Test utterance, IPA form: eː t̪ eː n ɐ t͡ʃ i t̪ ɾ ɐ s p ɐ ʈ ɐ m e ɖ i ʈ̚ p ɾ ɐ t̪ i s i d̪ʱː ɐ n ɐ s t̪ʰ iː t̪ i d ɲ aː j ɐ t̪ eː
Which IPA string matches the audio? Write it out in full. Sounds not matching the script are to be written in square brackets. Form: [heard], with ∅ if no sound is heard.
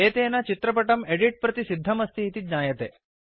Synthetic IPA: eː t̪ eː n ɐ t͡ʃ i t̪ ɾ ɐ [∅] p ɐ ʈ ɐ m e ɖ i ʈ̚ p ɾ ɐ t̪ i s i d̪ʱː ɐ [m] ɐ s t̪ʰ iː t̪ i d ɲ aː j ɐ t̪ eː